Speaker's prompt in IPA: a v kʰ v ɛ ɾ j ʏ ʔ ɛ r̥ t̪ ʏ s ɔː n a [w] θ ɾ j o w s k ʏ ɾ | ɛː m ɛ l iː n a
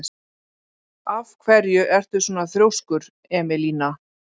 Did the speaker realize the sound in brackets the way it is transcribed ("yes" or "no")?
no